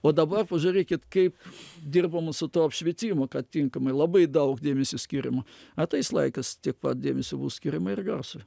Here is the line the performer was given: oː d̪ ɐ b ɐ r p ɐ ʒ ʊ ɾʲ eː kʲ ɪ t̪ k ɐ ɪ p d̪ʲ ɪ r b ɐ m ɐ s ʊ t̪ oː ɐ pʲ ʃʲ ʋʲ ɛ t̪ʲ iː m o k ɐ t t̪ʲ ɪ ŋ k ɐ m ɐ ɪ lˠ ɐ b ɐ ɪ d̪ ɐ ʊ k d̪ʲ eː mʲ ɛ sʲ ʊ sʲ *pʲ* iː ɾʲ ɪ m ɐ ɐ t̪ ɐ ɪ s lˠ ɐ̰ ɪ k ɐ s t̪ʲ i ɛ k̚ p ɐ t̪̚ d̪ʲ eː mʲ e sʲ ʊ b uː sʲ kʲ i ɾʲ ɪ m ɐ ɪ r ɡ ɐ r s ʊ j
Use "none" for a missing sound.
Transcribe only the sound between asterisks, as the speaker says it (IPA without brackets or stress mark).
kʲ